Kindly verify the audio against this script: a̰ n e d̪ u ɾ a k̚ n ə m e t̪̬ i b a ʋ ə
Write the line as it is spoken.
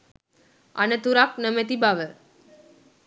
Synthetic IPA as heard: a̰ n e t̪ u ɾ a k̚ n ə m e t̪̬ i b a ʋ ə